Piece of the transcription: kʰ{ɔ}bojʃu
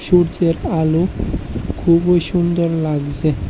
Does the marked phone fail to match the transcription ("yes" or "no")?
yes